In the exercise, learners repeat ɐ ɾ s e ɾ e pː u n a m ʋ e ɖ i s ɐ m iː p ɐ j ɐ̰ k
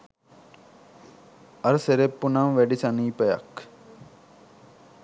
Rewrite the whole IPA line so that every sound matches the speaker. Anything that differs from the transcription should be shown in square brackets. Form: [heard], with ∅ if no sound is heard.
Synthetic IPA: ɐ ɾ s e ɾ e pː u n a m ʋ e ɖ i s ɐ [n] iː p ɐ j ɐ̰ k